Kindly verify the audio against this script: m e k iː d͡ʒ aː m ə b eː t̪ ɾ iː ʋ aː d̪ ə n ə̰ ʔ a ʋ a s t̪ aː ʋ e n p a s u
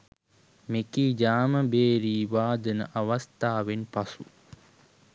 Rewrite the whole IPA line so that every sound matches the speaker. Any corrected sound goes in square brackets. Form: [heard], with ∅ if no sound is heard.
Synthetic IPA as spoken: m e k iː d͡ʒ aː m ə b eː [∅] ɾ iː ʋ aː d̪ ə n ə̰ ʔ a ʋ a s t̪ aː ʋ e n p a s u